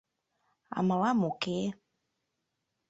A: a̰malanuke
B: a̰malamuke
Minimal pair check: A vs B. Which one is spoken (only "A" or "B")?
B